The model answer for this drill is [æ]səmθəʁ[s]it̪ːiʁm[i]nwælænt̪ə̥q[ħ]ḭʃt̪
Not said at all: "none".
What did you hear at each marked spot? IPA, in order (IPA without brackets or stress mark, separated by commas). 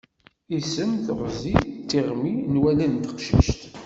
i, z, i, ʃ